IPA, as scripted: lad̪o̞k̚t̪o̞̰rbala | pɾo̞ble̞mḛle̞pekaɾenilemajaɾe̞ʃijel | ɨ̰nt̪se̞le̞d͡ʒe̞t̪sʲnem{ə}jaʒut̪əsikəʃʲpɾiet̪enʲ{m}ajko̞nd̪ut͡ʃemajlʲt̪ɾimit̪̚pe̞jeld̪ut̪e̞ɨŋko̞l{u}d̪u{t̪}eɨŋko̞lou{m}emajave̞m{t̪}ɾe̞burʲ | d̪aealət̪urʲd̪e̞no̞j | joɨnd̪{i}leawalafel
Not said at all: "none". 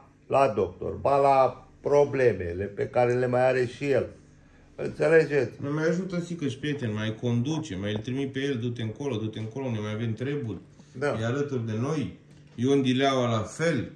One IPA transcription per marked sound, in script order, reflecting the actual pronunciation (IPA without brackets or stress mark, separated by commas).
a, m, o, t̪, n, t̪, i